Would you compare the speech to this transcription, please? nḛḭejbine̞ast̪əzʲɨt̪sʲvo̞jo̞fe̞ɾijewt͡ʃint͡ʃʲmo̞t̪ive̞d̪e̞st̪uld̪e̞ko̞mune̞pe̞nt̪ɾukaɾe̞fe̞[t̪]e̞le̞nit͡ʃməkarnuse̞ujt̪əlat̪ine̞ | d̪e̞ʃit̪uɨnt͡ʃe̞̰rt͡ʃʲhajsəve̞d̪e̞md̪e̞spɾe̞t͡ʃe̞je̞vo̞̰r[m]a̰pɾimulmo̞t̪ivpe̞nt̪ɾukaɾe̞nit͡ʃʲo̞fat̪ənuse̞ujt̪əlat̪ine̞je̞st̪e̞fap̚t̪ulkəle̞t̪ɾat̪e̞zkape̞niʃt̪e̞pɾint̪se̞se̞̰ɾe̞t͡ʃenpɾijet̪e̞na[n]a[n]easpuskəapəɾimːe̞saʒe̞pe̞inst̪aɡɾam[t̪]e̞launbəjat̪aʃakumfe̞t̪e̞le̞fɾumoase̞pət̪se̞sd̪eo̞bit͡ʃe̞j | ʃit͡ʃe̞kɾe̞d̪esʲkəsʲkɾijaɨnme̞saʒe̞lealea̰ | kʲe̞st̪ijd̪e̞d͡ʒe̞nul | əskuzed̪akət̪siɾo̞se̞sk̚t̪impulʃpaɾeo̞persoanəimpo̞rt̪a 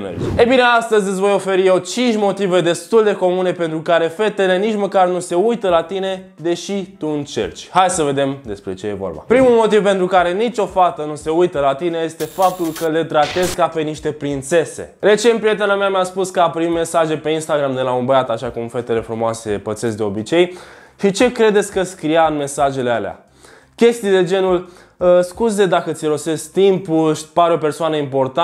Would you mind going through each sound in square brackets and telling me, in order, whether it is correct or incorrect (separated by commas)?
correct, incorrect, incorrect, incorrect, incorrect